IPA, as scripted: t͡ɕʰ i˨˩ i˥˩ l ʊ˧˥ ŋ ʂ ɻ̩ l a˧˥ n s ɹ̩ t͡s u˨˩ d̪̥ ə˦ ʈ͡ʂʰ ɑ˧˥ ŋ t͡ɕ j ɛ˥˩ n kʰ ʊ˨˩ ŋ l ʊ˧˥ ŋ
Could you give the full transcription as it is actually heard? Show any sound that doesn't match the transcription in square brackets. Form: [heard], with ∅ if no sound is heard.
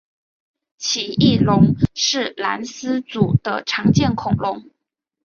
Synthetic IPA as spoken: t͡ɕʰ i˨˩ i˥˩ l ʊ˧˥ ŋ ʂ ɻ̩ l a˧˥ n s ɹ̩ t͡s u˨˩ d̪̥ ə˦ ʈ͡ʂʰ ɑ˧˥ ŋ t͡ɕ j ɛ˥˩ n kʰ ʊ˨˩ ŋ l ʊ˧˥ ŋ